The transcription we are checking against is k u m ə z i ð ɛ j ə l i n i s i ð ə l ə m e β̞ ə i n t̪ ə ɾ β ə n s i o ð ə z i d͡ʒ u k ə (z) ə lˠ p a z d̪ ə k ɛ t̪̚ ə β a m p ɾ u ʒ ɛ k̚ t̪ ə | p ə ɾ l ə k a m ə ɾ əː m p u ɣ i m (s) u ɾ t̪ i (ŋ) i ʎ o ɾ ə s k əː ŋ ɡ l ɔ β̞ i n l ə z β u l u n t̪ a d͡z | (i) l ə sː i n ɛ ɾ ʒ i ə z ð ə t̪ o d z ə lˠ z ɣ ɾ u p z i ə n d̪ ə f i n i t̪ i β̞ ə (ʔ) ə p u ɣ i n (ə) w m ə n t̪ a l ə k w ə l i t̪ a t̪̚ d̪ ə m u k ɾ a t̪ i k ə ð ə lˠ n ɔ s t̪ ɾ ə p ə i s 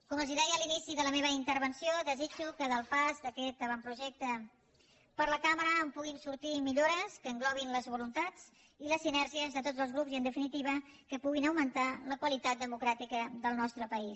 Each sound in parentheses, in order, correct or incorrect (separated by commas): incorrect, correct, incorrect, correct, incorrect, correct